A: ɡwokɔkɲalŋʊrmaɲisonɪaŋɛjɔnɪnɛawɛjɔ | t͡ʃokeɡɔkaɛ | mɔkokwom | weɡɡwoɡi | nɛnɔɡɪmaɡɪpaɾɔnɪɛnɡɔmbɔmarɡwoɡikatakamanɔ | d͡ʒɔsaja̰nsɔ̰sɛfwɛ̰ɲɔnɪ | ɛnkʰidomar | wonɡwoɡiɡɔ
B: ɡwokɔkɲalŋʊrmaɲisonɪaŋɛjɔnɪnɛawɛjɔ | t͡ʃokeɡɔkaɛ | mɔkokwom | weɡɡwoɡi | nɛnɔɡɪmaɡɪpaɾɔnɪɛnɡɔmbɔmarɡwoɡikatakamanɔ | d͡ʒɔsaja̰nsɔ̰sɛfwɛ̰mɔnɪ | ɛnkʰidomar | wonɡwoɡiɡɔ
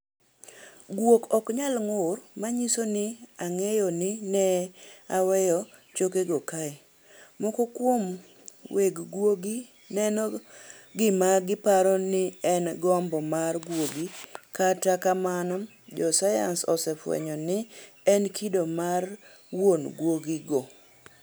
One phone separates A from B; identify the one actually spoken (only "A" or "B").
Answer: A